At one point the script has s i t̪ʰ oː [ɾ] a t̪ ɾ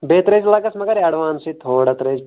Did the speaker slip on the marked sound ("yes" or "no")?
yes